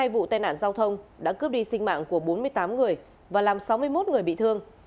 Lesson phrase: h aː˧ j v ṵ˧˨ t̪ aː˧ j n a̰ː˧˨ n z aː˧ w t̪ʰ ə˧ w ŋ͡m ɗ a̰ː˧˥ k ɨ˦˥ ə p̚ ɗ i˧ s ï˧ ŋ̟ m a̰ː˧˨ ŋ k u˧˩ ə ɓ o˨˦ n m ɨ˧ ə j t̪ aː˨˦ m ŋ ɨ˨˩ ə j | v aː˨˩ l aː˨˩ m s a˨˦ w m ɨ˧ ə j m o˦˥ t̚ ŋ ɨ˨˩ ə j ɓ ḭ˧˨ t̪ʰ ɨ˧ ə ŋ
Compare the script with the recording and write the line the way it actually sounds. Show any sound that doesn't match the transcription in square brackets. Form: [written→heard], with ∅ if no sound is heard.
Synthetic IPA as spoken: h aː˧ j v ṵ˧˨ t̪ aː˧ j n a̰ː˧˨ n z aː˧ w t̪ʰ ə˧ w ŋ͡m ɗ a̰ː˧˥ k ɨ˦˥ ə p̚ ɗ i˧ s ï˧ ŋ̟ m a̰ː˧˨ ŋ k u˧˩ ə ɓ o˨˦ n m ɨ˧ ə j t̪ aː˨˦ m ŋ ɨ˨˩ ə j | v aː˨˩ l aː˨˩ m s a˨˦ w m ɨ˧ ə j m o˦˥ t̚ ŋ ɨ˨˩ ə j ɓ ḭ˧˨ t̪ʰ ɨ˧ ə ŋ

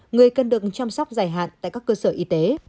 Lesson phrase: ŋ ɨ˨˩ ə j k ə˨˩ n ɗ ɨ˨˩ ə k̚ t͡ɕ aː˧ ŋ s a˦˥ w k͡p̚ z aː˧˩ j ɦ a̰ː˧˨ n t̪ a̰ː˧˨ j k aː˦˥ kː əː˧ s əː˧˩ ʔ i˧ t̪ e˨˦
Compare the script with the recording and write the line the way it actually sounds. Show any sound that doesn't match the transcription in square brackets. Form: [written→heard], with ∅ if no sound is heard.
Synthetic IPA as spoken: ŋ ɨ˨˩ ə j k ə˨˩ n ɗ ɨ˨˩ ə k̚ t͡ɕ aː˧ [ŋ→m] s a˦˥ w k͡p̚ z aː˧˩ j ɦ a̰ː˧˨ n t̪ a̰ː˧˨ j k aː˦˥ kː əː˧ s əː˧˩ ʔ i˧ t̪ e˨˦

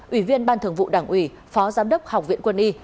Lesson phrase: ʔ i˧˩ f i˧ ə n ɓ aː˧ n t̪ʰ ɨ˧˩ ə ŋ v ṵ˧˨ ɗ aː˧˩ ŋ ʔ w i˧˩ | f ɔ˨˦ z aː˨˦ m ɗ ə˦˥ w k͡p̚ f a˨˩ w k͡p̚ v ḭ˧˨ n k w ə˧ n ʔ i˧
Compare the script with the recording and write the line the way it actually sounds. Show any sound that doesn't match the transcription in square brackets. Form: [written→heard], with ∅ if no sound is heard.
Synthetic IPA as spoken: ʔ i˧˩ [f→v] i˧ ə n ɓ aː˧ n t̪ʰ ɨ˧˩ ə ŋ v ṵ˧˨ ɗ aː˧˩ ŋ ʔ w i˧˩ | f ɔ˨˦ z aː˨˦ m ɗ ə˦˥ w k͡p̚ [f→h] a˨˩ w k͡p̚ v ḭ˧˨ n k w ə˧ n ʔ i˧

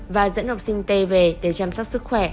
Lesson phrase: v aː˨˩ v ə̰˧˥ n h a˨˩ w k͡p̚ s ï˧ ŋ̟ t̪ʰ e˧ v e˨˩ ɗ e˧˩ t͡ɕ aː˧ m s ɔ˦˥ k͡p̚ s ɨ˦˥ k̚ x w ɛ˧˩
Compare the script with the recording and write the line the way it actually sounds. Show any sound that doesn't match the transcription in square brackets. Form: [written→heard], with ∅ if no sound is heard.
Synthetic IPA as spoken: v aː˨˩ [v→z] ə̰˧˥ n h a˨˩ w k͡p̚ s ï˧ ŋ̟ [t̪ʰ→t̪] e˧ v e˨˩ ɗ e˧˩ t͡ɕ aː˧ m s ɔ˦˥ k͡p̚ s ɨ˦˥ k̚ x w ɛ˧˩

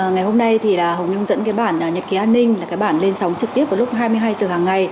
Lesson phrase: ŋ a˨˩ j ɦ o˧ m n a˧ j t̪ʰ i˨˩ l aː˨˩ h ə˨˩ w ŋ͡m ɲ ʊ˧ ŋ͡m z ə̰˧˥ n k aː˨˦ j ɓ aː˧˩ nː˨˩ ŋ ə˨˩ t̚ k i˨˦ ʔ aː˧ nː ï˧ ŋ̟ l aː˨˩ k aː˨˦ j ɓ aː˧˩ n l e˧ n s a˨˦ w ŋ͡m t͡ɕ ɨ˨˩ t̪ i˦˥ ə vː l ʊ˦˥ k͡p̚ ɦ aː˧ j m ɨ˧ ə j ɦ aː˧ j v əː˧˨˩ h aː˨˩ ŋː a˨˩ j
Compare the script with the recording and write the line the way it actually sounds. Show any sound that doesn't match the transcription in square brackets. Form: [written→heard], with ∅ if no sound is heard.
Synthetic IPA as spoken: ŋ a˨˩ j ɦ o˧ m n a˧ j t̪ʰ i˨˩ l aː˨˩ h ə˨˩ w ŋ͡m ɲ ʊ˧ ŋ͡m z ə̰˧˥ n k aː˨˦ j ɓ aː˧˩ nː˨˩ [ŋ→ɲ] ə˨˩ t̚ k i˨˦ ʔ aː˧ nː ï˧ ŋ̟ l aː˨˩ k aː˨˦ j ɓ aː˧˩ n l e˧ n s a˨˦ w ŋ͡m t͡ɕ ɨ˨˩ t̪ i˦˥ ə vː l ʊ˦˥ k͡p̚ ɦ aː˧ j m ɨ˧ ə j ɦ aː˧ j [v→z] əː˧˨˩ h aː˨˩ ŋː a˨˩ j

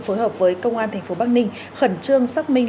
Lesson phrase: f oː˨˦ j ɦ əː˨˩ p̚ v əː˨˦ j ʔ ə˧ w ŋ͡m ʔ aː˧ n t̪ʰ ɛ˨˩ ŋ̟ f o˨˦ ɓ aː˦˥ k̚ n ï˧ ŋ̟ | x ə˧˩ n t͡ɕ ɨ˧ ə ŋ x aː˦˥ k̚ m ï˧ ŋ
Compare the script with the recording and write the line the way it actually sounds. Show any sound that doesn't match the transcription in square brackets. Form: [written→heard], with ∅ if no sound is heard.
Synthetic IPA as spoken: f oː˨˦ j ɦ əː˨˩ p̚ v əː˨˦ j [ʔ→k] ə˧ w ŋ͡m ʔ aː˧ n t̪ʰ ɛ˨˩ ŋ̟ f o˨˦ ɓ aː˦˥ k̚ n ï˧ ŋ̟ | x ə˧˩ n t͡ɕ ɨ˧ ə ŋ [x→s] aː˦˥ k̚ m ï˧ ŋ

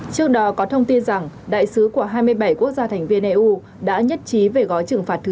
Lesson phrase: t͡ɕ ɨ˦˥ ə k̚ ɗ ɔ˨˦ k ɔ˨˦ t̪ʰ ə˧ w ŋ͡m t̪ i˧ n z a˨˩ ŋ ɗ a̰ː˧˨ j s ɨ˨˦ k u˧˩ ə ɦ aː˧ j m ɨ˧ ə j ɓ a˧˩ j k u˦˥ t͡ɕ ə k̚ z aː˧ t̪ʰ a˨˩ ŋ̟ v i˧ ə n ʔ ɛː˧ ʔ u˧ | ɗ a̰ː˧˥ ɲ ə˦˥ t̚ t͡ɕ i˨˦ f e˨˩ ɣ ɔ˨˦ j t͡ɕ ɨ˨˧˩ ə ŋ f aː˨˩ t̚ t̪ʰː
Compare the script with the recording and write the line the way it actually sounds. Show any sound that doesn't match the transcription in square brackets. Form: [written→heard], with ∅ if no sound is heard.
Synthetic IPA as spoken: t͡ɕ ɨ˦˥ ə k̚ ɗ ɔ˨˦ k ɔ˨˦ t̪ʰ ə˧ w ŋ͡m t̪ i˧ n z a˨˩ ŋ ɗ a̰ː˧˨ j s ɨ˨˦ k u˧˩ ə ɦ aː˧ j m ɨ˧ ə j ɓ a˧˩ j k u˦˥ [t͡ɕ→∅] ə k̚ z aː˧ t̪ʰ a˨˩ ŋ̟ v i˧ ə n ʔ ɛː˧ ʔ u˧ | ɗ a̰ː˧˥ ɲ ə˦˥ t̚ t͡ɕ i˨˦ [f→v] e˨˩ ɣ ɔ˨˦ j t͡ɕ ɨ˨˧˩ ə ŋ f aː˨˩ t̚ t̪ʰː

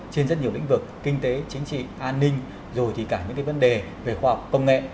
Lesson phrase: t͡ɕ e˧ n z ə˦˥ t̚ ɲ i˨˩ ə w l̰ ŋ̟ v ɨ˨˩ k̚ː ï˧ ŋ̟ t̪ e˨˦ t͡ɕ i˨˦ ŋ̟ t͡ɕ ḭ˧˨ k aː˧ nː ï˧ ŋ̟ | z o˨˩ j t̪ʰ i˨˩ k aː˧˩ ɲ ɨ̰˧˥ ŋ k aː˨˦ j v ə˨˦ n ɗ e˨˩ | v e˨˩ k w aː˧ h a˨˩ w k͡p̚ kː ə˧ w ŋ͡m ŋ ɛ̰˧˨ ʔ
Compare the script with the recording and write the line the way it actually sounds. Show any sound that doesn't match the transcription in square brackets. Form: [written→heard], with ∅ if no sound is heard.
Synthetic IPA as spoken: t͡ɕ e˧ n z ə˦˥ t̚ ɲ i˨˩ ə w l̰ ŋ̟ v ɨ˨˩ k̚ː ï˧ ŋ̟ t̪ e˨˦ t͡ɕ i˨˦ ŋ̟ t͡ɕ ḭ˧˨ [k→ʔ] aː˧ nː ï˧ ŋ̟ | z o˨˩ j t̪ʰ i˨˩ k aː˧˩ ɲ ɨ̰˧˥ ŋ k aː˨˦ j v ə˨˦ n ɗ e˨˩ | v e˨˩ [k→x] w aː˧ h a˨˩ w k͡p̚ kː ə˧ w ŋ͡m ŋ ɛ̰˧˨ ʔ

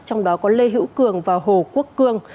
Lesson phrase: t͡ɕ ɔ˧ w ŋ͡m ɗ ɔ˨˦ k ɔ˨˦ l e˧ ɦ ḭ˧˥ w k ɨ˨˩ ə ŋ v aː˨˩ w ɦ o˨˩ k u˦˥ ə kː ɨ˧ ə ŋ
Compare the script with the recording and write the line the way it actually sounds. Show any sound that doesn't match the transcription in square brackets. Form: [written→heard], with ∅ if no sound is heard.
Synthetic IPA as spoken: t͡ɕ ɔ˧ w ŋ͡m ɗ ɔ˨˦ k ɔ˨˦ l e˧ ɦ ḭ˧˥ w k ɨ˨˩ ə ŋ v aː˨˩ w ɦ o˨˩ k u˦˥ ə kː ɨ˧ ə ŋ

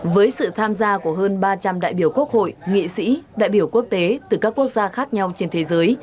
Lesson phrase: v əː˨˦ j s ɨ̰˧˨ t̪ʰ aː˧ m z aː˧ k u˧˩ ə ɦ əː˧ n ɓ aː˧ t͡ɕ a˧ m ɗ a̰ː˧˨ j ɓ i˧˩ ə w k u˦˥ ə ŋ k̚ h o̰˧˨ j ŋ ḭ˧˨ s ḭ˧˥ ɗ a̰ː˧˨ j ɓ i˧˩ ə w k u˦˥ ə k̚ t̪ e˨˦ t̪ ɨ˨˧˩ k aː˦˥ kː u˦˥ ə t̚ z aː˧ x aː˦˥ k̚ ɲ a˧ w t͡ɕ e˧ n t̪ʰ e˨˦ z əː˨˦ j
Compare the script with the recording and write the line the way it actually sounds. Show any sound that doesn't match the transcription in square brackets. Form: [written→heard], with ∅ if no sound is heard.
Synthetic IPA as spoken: v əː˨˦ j s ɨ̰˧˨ t̪ʰ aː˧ m z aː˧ k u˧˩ ə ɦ əː˧ n ɓ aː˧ t͡ɕ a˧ m ɗ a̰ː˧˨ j ɓ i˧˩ ə w k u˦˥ ə [ŋ→∅] k̚ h o̰˧˨ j ŋ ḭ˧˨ s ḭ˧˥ ɗ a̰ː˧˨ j ɓ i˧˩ ə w k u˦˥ ə k̚ t̪ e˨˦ t̪ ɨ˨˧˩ k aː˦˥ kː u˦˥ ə [t̚→k̚] z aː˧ x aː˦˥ k̚ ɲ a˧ w t͡ɕ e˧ n t̪ʰ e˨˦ z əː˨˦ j

